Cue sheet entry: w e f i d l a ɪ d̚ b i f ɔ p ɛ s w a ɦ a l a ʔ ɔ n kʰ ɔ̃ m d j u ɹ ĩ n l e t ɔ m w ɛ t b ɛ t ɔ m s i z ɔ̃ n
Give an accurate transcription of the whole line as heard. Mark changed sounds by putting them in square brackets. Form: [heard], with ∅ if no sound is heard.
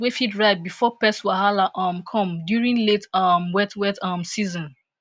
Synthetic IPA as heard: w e f i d [ɹ] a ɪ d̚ b i f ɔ p ɛ s w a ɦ a l a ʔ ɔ [m] kʰ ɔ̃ m d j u ɹ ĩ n l e t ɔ m w ɛ t [w] ɛ t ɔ m s i z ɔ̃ n